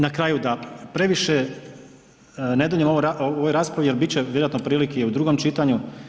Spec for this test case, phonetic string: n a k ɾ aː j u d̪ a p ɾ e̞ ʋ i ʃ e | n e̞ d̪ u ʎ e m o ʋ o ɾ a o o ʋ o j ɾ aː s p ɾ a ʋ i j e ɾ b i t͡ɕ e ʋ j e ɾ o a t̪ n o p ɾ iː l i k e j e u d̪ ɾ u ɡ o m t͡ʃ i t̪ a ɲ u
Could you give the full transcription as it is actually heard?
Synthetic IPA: n a k ɾ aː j u d̪ a p ɾ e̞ ʋ i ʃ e | n e̞ d̪ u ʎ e m o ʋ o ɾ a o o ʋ o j ɾ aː s p ɾ a ʋ i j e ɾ b i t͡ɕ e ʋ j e ɾ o a t̪ n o p ɾ iː l i k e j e u d̪ ɾ u ɡ o m t͡ʃ i t̪ a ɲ u